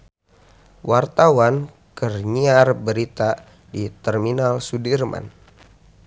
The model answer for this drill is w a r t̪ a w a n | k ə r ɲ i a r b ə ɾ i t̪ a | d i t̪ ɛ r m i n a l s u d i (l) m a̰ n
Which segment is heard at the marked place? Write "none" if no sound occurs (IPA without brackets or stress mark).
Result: r